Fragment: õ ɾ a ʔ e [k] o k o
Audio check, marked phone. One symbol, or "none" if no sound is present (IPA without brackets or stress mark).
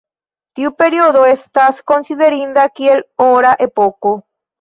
p